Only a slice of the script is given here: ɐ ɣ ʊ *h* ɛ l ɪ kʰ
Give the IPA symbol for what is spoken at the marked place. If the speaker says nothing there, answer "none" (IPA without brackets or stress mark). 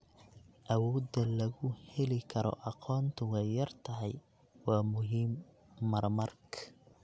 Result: h